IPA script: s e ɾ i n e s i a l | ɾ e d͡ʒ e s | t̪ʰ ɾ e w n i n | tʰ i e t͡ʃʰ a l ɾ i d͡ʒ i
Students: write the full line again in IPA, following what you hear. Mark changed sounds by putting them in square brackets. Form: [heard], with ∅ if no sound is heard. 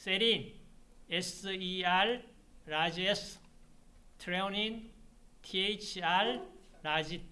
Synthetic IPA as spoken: s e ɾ i n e s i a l | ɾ [a] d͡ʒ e s | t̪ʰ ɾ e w n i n | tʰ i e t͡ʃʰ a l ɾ [a] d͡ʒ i